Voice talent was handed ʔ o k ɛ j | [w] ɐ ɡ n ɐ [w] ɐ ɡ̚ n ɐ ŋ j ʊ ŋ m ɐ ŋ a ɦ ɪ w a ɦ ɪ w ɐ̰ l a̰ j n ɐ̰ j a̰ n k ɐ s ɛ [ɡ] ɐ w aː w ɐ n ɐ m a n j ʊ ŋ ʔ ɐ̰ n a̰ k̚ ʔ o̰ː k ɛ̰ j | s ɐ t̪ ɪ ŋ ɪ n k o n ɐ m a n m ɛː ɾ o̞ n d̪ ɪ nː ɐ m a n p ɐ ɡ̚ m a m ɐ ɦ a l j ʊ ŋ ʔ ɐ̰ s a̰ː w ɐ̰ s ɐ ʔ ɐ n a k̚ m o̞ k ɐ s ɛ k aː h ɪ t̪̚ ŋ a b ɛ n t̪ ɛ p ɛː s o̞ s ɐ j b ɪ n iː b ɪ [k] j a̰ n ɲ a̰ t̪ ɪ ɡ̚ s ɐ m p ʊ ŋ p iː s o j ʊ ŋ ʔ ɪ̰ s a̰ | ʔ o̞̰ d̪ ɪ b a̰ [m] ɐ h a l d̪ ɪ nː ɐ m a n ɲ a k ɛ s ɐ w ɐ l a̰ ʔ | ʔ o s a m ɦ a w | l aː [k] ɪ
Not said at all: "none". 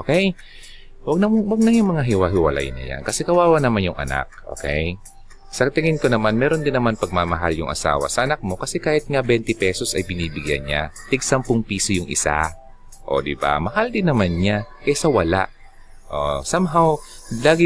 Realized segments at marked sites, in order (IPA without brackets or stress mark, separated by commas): w, w, k, ɡ, m, ɡ